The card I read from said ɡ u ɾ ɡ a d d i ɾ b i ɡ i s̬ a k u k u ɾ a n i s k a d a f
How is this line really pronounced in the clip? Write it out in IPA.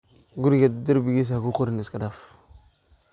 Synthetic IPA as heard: ɡ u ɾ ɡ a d d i ɾ b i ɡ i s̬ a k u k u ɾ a n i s k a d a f